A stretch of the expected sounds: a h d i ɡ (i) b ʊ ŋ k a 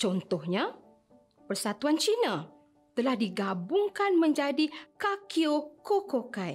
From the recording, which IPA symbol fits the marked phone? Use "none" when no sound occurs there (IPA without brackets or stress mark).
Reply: a